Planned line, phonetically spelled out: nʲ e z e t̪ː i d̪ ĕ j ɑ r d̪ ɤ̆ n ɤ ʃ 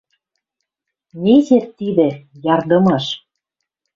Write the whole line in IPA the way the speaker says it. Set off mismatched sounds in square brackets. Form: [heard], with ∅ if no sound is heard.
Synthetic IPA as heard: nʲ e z e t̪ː i d̪ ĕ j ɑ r d̪ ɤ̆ [m] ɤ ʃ